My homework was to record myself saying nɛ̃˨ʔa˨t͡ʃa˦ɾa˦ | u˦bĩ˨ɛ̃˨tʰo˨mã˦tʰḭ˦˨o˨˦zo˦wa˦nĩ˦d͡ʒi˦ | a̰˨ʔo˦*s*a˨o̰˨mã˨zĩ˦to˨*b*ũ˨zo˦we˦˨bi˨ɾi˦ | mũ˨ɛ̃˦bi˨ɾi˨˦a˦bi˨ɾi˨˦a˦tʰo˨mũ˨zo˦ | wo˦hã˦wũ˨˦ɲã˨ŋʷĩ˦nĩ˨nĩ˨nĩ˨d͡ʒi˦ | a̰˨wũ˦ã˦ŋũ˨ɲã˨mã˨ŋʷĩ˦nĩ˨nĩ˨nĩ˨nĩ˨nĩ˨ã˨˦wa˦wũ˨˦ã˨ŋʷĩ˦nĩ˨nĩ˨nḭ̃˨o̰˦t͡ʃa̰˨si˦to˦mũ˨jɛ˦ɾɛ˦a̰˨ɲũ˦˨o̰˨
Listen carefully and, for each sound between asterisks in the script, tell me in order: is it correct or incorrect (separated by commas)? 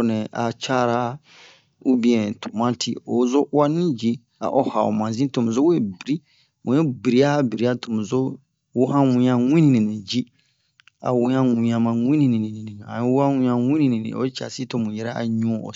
incorrect, incorrect